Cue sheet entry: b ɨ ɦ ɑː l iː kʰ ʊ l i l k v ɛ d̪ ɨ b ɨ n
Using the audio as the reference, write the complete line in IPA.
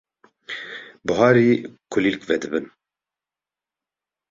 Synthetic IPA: b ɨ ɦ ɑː ɾ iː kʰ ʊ l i l k v ɛ d̪ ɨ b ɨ n